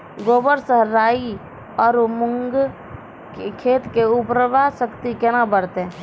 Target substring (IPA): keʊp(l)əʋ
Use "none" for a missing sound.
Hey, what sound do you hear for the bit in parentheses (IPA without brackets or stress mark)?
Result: ɾ